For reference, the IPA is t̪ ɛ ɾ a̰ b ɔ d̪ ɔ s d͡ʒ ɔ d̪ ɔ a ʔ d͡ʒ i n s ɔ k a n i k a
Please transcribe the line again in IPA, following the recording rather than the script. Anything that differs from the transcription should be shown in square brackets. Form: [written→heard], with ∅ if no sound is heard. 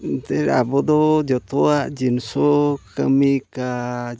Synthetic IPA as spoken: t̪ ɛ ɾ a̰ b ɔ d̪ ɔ [s→∅] d͡ʒ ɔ [d̪→t̪] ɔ a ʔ d͡ʒ i n s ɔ k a [n→m] i k a